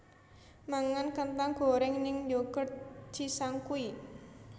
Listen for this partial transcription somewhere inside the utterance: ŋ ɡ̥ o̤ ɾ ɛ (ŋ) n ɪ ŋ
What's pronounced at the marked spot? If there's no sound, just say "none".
ŋ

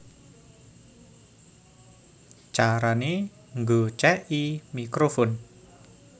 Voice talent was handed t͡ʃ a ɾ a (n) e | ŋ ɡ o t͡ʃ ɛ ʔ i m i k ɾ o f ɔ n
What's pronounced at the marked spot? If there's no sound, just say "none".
n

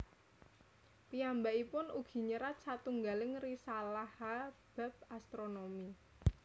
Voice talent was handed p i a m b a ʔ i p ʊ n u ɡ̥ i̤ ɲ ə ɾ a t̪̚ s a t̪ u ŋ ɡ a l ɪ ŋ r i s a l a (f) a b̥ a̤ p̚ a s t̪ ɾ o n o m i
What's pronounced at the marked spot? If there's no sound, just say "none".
h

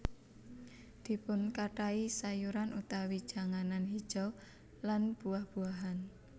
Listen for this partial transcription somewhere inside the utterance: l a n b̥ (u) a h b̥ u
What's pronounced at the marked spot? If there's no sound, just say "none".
u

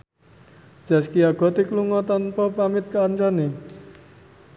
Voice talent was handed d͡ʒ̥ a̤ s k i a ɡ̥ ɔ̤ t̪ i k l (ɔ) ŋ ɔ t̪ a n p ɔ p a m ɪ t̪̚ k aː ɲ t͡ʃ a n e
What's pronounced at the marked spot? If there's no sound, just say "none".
u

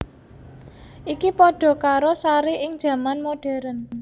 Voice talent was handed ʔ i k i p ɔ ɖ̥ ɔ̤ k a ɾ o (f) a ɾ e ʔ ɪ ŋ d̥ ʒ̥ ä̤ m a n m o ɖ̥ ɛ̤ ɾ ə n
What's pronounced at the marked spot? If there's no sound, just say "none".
s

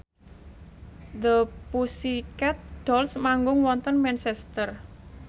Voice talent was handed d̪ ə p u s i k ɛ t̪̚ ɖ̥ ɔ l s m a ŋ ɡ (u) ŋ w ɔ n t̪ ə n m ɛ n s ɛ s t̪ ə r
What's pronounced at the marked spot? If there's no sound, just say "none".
ʊ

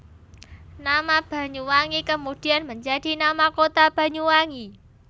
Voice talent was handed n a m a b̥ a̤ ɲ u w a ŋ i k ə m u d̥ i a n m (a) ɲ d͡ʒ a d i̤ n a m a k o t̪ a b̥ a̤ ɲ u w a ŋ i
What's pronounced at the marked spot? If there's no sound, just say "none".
ə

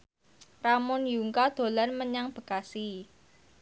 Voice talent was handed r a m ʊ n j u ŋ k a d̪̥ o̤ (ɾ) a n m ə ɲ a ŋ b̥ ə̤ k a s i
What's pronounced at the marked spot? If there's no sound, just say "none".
l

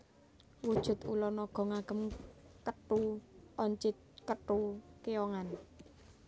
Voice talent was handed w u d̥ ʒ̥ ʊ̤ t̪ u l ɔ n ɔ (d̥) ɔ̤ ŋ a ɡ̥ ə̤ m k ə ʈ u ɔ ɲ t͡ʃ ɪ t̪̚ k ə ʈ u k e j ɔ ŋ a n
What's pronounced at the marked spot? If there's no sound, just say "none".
ɡ̥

